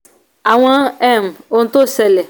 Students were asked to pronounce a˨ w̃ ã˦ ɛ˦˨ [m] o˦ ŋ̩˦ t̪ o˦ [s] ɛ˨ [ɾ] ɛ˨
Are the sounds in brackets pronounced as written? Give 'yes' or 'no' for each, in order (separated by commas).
yes, yes, no